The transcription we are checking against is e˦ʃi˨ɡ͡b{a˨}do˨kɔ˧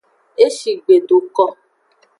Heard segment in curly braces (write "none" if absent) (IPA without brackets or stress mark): e˨